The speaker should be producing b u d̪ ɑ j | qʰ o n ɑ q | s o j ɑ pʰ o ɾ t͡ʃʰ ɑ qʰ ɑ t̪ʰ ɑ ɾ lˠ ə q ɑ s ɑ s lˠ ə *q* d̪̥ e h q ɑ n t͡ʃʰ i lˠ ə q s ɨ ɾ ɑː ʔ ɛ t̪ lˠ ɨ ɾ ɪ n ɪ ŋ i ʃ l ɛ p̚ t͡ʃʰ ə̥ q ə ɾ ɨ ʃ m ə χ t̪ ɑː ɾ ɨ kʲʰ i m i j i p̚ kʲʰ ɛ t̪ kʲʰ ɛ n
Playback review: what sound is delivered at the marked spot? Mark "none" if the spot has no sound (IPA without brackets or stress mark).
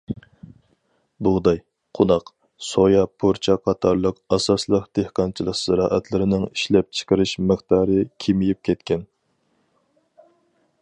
q